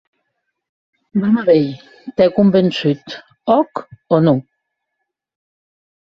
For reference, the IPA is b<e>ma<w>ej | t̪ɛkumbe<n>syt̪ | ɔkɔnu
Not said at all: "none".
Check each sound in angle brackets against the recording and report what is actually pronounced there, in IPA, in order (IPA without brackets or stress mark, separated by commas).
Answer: a, β, n